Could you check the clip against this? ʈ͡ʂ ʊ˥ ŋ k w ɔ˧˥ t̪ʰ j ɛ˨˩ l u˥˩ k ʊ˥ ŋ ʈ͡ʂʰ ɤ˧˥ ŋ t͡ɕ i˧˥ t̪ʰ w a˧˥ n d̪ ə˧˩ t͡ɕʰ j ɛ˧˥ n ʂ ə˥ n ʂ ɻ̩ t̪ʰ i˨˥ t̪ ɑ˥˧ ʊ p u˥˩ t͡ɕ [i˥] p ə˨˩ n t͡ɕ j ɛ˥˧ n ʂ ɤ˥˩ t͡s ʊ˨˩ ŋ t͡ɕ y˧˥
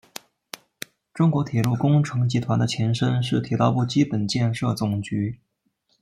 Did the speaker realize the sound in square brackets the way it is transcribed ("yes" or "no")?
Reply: yes